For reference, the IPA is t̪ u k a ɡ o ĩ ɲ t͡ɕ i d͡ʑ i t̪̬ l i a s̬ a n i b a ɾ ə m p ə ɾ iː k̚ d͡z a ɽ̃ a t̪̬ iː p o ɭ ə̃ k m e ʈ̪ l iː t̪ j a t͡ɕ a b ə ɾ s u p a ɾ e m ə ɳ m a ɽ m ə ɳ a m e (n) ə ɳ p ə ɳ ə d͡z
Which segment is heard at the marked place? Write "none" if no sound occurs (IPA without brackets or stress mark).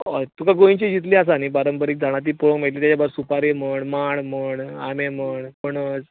m